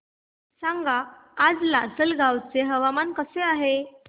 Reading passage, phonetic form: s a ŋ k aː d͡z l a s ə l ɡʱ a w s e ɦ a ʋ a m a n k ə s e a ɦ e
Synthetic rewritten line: s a ŋ ɡ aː d͡z l a s ə l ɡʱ a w t͡s e ɦ ə ʋ a m a n k ə s e a ɦ e

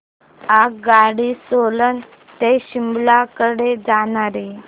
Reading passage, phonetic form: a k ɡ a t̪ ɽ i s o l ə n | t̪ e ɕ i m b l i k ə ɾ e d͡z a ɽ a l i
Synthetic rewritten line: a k ɡ a ɽ i s o l ə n | t̪ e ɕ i m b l a k ə ɽ e d͡z a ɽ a ɾ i

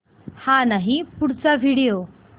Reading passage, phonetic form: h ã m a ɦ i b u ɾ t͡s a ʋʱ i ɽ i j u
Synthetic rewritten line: h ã n a ɦ i p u ɽ t͡s a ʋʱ i ɽ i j o

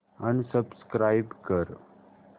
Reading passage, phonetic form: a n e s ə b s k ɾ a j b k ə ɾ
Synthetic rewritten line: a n i s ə b s k ɾ a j b k ə ɾ

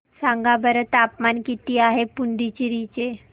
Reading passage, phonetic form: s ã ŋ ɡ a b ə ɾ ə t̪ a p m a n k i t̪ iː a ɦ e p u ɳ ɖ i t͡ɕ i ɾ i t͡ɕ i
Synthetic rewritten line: s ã ŋ ɡ a b ə ɾ ə t̪ a p m a n k i t̪ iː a ɦ e p u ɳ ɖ i t͡ɕ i ɾ i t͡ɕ e

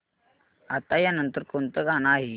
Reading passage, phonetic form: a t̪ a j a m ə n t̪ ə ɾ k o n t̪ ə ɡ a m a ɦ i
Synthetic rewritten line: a t̪ a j a n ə n t̪ ə ɾ k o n t̪ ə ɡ a n a ɦ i

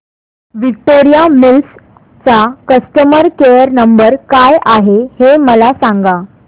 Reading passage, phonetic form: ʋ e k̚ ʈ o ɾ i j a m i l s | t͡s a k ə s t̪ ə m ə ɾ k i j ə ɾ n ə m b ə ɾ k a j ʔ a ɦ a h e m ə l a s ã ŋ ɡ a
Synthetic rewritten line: ʋ i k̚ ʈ o ɾ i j a m i l s | t͡s a k ə s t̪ ə m ə ɾ k e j ə ɾ n ə m b ə ɾ k a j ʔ a ɦ e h e m ə l a s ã ŋ ɡ a

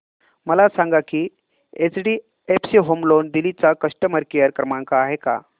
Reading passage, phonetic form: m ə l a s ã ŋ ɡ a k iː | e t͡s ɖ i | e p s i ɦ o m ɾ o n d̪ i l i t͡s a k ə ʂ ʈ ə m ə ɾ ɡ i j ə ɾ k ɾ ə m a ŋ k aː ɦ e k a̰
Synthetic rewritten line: m ə l a s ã ŋ ɡ a k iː | e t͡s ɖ i | e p s i ɦ o m l o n d̪ i l i t͡s a k ə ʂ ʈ ə m ə ɾ k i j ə ɾ k ɾ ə m a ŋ k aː ɦ e k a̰

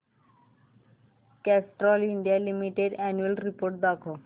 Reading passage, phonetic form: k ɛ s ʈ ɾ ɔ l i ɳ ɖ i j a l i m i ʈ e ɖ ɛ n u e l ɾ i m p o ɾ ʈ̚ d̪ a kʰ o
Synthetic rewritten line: k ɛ s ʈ ɾ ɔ l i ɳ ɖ i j a l i m i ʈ e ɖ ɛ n u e l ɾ i p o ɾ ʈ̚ d̪ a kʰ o

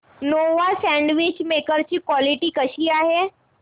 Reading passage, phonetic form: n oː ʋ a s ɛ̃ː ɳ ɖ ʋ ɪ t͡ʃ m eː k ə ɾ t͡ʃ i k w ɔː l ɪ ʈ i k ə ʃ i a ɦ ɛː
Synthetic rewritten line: n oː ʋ a s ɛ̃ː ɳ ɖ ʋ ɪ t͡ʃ m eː k ə ɾ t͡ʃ i k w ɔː l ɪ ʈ i k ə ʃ i a ɦ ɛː

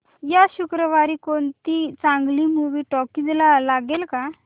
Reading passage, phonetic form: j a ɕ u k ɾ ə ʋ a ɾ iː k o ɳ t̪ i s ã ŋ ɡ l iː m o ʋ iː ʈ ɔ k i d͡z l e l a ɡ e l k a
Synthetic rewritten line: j a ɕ u k ɾ ə ʋ a ɾ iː k o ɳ t̪ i t͡s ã ŋ ɡ l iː m u ʋ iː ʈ ɔ k i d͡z l a l a ɡ e l k a

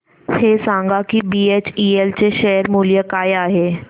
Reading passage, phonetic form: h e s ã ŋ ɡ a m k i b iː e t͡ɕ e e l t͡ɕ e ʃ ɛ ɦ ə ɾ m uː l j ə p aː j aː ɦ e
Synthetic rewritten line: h e s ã ŋ ɡ a k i b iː e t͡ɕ i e l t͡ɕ e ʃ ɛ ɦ ə ɾ m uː l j ə k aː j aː ɦ e

